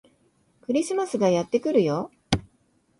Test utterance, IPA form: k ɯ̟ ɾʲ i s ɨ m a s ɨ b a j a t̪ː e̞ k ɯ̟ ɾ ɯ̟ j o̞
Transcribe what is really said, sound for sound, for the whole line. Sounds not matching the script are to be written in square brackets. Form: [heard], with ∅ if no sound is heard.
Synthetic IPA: k ɯ̟ ɾʲ i s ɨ m a s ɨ [ɡ] a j a t̪ː e̞ k ɯ̟ ɾ ɯ̟ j o̞

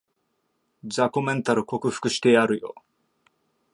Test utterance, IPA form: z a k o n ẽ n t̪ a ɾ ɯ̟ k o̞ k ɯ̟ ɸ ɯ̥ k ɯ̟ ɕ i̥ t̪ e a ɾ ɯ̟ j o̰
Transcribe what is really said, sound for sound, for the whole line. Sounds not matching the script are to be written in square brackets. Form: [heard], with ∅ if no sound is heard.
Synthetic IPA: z a k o [m] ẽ n t̪ a ɾ ɯ̟ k o̞ k ɯ̟ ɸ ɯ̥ k ɯ̟ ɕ i̥ t̪ e a ɾ ɯ̟ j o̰

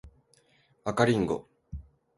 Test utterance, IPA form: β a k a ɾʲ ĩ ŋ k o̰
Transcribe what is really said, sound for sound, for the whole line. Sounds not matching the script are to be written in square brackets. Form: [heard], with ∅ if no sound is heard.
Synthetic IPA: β a k a ɾʲ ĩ ŋ [ɡ] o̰

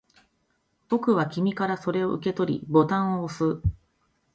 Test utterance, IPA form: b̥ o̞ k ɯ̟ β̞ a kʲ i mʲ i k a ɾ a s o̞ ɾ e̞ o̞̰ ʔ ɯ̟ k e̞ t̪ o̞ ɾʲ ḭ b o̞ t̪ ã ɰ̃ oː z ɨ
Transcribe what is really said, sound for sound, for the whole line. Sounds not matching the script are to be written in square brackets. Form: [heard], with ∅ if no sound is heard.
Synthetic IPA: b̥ o̞ k ɯ̟ β̞ a kʲ i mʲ i k a ɾ a s o̞ ɾ e̞ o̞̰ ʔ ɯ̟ k e̞ t̪ o̞ ɾʲ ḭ b o̞ t̪ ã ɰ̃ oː [s] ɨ

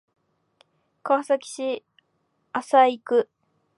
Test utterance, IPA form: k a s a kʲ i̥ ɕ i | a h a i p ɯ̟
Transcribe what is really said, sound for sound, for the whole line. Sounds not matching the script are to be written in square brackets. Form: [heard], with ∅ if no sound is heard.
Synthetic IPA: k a s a kʲ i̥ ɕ i | a [s] a i [k] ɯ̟

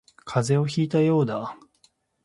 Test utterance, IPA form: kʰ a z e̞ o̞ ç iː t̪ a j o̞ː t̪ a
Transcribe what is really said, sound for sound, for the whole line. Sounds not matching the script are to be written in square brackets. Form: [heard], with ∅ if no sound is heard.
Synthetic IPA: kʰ a z e̞ o̞ ç iː t̪ a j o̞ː [d̪] a

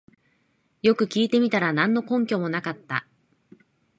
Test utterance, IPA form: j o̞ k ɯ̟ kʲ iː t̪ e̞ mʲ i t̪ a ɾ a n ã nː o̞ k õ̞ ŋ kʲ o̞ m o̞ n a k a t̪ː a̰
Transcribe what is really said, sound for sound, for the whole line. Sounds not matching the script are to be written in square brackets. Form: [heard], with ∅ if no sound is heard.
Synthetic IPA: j o̞ k ɯ̟ kʲ iː t̪ e̞ mʲ i t̪ a ɾ a n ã nː o̞ k õ̞ ŋ kʲ o̞ m o̞ n a k a t̪ː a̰

